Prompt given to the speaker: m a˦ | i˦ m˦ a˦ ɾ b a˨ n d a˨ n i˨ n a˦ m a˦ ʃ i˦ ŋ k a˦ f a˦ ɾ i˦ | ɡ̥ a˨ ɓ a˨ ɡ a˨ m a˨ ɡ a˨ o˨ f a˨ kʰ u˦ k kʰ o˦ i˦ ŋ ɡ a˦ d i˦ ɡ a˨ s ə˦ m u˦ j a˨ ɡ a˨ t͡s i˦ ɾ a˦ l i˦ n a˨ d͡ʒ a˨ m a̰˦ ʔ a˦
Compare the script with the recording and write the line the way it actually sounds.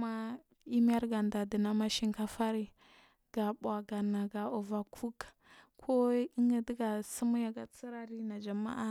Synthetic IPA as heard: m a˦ | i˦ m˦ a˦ ɾ ɡ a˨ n d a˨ d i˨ n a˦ m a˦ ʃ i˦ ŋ k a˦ f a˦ ɾ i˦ | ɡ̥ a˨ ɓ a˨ ɡ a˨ n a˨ ɡ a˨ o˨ v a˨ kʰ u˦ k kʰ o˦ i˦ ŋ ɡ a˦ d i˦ ɡ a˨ s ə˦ m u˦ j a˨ ɡ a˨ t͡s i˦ ɾ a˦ ɾ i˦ n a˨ d͡ʒ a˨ m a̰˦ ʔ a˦